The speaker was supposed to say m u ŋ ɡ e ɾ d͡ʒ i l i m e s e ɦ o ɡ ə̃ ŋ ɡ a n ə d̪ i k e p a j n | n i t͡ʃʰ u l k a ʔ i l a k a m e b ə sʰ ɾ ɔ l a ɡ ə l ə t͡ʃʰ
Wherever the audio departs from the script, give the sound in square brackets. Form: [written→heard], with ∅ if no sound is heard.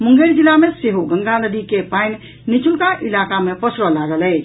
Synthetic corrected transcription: m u ŋ ɡ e ɾ d͡ʒ i l [i→a] m e s e ɦ o ɡ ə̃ ŋ ɡ a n ə d̪ i k e p a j n | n i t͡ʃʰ u l k a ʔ i l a k a m e [b→p] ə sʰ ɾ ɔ l a ɡ ə l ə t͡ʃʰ